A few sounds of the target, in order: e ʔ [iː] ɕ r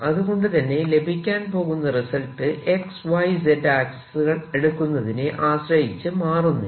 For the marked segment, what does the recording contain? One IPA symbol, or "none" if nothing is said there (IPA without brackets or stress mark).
aː